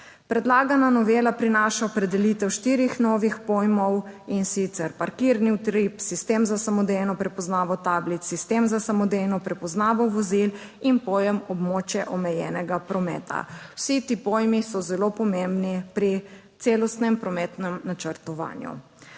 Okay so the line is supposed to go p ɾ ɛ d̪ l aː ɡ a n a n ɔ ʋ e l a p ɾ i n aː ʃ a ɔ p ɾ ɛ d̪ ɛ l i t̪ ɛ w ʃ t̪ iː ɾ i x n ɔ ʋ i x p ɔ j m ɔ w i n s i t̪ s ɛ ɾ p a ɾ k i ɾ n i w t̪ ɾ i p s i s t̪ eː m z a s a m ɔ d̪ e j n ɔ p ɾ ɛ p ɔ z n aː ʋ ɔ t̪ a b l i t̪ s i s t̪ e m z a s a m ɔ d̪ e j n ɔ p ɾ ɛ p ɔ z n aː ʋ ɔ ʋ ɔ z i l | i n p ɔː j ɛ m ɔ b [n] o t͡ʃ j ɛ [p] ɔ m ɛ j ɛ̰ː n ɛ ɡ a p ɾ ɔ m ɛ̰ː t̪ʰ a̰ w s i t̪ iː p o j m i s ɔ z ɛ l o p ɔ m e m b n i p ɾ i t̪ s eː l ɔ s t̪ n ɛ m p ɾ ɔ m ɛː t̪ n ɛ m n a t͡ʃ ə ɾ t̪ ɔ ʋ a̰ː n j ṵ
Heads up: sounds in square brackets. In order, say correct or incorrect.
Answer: incorrect: m, incorrect: ʔ

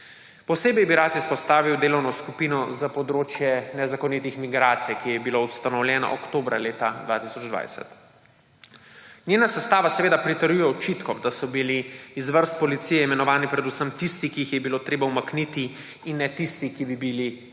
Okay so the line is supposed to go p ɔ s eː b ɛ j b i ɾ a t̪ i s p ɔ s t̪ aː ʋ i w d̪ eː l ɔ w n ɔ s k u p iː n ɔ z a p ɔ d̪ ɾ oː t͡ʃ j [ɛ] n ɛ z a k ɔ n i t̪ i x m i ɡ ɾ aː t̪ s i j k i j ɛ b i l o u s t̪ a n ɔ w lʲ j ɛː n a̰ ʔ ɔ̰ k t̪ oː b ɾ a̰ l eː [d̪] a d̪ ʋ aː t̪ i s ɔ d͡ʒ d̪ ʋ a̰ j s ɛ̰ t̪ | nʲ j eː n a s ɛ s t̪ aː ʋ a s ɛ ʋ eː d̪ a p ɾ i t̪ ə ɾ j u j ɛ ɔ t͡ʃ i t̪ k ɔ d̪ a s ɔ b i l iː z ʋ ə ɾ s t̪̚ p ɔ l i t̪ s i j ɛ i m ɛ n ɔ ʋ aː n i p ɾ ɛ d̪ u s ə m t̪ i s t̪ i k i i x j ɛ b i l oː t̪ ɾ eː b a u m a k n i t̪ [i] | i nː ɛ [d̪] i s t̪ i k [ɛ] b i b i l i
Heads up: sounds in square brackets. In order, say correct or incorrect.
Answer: correct, incorrect: t̪, correct, incorrect: t̪, incorrect: i

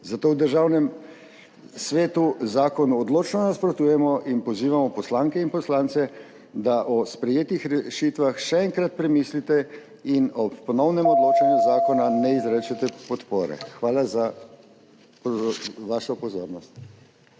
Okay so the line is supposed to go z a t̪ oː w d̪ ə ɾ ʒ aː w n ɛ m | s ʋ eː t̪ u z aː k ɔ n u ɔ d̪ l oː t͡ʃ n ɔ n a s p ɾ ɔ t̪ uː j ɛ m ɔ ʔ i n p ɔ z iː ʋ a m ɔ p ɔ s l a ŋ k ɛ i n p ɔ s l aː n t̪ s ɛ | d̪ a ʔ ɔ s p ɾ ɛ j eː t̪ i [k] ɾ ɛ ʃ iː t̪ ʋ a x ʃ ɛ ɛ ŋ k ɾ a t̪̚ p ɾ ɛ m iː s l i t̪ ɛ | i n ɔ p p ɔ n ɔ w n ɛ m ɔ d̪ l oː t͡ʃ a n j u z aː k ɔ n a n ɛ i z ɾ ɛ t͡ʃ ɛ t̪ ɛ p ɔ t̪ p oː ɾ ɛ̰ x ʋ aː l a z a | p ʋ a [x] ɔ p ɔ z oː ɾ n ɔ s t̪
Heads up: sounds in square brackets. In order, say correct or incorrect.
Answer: incorrect: x, incorrect: ʃ

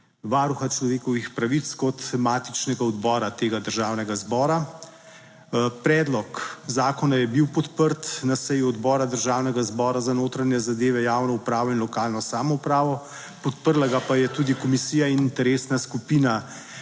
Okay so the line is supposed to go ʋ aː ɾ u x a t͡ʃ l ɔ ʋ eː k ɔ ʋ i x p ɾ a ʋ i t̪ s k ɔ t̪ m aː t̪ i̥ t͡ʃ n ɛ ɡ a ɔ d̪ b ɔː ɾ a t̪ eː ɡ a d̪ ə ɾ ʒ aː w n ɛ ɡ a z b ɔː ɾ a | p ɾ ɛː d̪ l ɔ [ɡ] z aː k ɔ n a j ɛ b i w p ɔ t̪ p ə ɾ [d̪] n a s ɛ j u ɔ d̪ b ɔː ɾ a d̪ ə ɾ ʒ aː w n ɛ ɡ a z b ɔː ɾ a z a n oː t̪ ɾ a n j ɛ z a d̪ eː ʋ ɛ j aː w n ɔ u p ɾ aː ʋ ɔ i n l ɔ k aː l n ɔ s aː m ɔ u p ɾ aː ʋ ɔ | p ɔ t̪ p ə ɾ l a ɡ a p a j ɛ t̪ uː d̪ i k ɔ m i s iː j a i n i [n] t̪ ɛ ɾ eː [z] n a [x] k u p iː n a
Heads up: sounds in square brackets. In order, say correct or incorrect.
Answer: incorrect: k, incorrect: t̪, correct, incorrect: s, incorrect: s

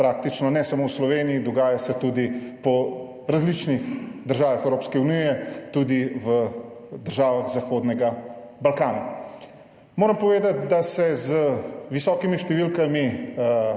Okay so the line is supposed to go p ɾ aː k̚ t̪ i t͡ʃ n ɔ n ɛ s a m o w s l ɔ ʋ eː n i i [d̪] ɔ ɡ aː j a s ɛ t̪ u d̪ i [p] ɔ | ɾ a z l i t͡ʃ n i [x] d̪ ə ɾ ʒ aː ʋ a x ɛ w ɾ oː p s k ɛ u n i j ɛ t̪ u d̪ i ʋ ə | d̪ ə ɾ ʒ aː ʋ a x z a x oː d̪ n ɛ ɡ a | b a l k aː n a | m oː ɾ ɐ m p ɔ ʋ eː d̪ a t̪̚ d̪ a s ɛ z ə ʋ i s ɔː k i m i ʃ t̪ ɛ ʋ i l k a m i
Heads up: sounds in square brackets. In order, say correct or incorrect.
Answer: correct, correct, correct

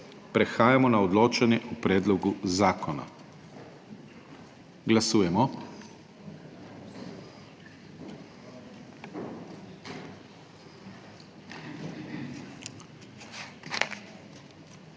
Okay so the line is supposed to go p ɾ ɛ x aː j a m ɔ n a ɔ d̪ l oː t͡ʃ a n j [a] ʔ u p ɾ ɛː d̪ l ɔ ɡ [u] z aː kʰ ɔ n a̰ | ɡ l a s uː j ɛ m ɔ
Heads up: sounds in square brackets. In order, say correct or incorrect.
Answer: incorrect: ɛ, correct

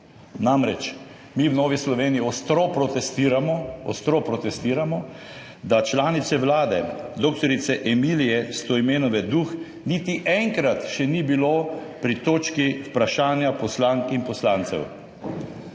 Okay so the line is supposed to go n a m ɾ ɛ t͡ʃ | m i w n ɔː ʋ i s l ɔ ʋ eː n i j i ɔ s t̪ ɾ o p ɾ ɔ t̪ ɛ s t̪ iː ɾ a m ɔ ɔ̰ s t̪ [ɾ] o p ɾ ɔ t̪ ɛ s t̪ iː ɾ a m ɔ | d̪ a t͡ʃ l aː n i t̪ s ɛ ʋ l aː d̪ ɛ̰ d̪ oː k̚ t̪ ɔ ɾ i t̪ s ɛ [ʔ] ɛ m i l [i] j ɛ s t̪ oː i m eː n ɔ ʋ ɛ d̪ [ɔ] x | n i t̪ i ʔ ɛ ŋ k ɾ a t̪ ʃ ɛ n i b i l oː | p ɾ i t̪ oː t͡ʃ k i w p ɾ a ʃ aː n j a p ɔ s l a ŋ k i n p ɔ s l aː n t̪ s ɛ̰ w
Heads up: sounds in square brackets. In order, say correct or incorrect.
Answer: correct, correct, correct, incorrect: u

